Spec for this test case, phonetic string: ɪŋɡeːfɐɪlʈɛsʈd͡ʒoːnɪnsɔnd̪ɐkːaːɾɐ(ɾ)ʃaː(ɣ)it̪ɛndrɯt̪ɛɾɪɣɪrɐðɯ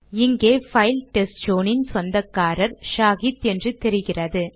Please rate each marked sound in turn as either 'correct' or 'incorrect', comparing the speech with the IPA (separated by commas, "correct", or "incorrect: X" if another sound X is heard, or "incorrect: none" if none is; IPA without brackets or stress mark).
correct, correct